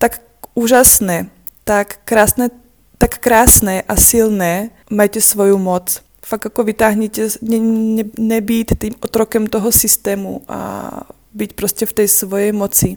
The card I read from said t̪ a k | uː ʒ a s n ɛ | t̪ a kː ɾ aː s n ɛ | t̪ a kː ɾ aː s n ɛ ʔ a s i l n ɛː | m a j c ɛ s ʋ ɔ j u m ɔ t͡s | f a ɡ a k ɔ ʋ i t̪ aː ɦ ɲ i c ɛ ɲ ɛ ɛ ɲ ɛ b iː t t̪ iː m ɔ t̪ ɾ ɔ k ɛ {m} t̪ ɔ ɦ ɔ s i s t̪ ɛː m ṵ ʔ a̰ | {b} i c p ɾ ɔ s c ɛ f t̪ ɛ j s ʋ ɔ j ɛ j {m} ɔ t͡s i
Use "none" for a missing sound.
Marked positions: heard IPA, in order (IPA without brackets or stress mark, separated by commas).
m, b, m